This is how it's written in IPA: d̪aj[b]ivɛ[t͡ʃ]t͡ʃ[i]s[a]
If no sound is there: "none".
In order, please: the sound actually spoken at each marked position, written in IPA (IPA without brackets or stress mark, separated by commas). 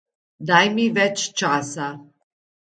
m, t͡ʃ, a, a